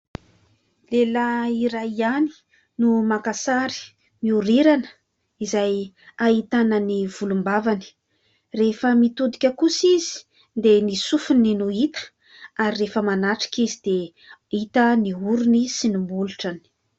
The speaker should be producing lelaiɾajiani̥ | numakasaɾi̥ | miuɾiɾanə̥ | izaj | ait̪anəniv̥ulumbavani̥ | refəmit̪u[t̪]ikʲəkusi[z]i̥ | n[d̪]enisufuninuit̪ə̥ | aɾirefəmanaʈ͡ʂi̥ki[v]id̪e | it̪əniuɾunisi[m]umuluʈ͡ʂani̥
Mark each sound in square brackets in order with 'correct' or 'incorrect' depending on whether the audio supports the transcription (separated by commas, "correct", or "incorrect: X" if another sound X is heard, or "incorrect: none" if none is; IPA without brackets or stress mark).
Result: incorrect: d̪, correct, correct, incorrect: z, incorrect: n